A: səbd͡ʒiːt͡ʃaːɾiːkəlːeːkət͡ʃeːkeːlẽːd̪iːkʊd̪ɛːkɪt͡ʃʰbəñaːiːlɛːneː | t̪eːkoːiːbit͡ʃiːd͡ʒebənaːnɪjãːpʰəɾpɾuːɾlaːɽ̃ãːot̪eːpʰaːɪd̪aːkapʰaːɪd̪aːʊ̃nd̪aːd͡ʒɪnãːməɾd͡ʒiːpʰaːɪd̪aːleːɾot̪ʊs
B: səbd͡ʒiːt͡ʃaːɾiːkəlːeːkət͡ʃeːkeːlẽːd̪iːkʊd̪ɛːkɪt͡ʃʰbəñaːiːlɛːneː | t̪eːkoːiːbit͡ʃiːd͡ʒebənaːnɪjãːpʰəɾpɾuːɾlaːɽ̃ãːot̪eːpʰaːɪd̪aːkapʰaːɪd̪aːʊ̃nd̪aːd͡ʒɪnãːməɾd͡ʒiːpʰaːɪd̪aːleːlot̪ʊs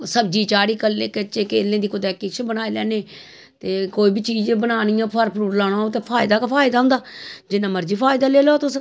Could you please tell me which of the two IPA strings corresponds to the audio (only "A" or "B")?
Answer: B